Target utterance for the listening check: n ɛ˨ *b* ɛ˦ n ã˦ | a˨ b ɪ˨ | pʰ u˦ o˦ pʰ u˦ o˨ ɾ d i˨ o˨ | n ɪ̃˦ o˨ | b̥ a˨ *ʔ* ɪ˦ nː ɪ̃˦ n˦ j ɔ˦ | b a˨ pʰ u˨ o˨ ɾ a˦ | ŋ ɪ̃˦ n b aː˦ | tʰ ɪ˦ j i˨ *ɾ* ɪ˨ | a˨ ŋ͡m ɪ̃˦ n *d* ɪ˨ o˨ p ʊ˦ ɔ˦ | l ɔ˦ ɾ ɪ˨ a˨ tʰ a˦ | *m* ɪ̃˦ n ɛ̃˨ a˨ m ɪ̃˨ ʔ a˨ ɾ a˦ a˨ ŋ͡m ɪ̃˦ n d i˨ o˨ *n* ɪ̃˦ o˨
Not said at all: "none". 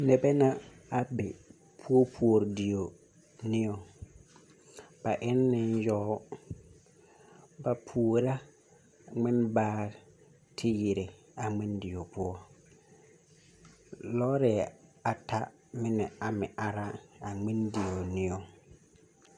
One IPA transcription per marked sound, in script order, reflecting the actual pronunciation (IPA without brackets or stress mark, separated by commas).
b, ʔ, ɾ, d, m, n